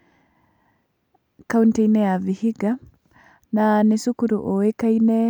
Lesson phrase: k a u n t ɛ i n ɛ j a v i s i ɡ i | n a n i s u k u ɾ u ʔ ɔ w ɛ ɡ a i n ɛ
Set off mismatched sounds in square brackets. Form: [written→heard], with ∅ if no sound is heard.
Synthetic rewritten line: k a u n t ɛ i n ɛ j a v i [s→h] i ɡ [i→a] | n a n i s u k u ɾ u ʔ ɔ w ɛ [ɡ→k] a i n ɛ

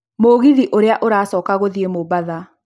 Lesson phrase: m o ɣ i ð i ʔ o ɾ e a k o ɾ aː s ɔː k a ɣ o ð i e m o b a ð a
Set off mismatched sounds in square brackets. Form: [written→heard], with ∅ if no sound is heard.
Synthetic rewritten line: m o ɣ i ð i ʔ o ɾ e a [k→ʔ] o ɾ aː s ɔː k a ɣ o ð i e m o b a ð a

